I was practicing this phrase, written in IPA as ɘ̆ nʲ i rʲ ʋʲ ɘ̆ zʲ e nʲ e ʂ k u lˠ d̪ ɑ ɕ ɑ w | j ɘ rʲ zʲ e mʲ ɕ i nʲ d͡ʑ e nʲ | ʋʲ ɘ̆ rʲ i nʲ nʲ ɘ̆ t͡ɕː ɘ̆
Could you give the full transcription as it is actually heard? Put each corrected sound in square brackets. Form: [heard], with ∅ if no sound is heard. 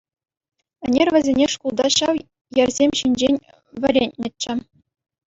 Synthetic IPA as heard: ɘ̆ nʲ [e] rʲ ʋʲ ɘ̆ zʲ e nʲ e ʂ k u lˠ d̪ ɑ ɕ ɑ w | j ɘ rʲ zʲ e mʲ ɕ i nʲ d͡ʑ e nʲ | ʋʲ ɘ̆ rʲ [e] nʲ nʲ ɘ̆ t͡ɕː ɘ̆

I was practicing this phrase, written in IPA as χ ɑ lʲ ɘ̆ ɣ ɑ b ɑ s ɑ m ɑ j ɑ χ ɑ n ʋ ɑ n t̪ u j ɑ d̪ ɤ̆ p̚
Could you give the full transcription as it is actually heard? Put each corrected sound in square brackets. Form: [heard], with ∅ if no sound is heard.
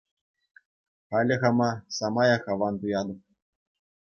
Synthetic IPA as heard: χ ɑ lʲ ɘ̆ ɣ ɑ [m] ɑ s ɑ m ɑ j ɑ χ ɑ [∅] ʋ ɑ n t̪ u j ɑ d̪ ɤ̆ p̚

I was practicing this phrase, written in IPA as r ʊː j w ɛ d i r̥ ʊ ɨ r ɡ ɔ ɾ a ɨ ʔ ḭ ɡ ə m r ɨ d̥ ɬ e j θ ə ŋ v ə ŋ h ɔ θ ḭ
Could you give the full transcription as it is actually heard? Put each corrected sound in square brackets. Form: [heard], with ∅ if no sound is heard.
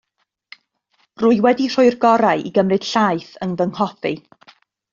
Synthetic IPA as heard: r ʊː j w ɛ d i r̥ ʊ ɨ r ɡ ɔ ɾ a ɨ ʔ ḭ ɡ ə m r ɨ d̥ ɬ [a] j θ ə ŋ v ə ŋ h ɔ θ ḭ

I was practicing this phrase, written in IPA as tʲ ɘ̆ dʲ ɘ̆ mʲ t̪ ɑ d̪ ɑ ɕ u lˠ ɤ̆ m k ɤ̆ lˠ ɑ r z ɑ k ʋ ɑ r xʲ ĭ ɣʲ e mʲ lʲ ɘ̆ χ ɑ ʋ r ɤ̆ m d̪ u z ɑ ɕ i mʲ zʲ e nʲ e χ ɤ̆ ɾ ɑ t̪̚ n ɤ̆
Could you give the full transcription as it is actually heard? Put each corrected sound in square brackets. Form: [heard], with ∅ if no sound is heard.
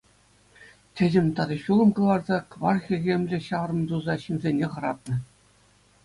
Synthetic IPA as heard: tʲ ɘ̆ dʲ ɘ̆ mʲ t̪ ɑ d̪ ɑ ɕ u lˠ ɤ̆ m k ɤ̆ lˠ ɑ r z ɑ k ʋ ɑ r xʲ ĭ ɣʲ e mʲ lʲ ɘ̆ [ɕ] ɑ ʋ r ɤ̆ m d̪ u z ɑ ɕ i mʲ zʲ e nʲ e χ ɤ̆ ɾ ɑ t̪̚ n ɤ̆

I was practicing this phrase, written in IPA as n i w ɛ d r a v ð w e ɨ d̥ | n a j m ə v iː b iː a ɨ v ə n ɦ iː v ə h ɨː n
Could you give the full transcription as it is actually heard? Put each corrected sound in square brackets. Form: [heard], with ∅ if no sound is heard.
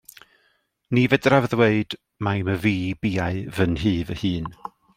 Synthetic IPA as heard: n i [v] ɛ d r a v ð w e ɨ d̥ | [m] a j m ə v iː b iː a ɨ v ə n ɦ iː v ə h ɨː n

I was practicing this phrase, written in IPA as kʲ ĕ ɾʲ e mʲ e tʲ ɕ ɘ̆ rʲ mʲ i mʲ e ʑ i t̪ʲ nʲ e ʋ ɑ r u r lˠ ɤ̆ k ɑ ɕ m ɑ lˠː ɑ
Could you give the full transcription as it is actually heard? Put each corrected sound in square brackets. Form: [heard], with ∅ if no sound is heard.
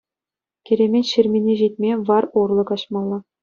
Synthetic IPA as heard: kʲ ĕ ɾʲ e mʲ e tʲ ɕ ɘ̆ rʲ mʲ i [nʲ] e ʑ i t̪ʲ [mʲ] e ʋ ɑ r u r lˠ ɤ̆ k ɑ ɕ m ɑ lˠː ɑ

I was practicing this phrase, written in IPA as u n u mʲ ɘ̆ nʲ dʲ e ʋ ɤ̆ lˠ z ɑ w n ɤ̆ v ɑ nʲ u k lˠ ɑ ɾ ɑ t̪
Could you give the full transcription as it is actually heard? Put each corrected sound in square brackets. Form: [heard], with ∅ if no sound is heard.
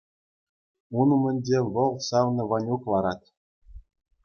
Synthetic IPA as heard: u n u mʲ ɘ̆ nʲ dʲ e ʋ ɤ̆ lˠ [s] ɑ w n ɤ̆ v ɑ nʲ u k lˠ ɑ ɾ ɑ t̪

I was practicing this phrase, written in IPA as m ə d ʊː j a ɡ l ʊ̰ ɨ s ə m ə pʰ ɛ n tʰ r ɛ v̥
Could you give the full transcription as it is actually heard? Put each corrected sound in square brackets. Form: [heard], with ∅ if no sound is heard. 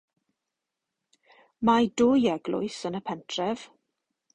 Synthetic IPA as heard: m [a] d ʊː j [ɛ] ɡ l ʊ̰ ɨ s ə [n] ə pʰ ɛ n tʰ r ɛ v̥

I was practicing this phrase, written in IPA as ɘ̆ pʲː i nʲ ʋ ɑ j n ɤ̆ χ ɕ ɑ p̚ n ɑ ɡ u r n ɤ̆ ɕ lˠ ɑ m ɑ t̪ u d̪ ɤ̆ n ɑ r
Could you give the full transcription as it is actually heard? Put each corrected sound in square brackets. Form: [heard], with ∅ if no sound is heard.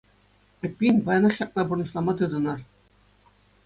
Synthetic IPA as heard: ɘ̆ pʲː i nʲ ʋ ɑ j n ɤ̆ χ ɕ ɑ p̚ n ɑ [b] u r n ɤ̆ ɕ lˠ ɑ m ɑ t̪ [ɯ] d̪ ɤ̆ n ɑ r

